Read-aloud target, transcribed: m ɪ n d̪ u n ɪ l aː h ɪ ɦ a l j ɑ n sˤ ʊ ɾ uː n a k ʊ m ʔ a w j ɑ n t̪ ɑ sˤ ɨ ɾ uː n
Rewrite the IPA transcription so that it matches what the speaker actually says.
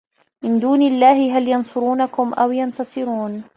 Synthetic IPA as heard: m ɪ n d̪ uː n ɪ lː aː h ɪ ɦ a l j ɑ n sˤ ʊ ɾ uː n a k ʊ m ʔ a w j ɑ n t̪ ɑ sˤ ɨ ɾ uː n